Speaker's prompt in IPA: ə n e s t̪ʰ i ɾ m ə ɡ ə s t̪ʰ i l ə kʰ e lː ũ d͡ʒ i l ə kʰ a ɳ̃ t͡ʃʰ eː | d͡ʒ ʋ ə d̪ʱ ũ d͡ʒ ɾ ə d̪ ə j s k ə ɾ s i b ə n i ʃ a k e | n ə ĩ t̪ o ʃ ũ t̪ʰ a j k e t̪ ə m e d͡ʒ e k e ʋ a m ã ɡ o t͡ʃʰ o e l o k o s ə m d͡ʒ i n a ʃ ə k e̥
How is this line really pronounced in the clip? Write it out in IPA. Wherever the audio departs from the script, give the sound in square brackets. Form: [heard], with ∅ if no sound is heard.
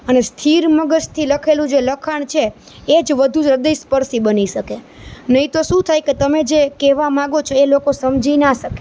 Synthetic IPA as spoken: ə n e s t̪ʰ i ɾ m ə ɡ ə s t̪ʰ i l ə kʰ e [l] ũ d͡ʒ [e] l ə kʰ a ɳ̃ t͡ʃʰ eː | d͡ʒ ʋ ə d̪ʱ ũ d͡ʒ ɾ ə d̪ ə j s [p] ə ɾ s i b ə n i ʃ [ə] k e | n ə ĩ t̪ o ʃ ũ t̪ʰ a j k e t̪ ə m e d͡ʒ e k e ʋ a m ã ɡ o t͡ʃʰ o e l o k o s ə m d͡ʒ i n a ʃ ə k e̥